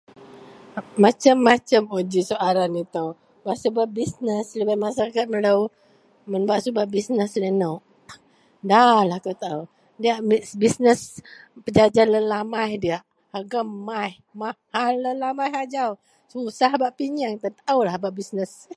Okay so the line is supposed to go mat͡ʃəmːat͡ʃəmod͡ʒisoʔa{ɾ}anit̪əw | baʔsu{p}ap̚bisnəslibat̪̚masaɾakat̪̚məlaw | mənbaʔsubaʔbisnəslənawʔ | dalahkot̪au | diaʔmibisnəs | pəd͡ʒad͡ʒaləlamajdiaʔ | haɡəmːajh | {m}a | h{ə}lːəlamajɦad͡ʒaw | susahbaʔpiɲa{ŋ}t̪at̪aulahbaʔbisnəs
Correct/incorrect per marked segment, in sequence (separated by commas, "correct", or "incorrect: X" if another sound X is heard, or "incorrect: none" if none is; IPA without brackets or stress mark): correct, incorrect: b, correct, incorrect: a, correct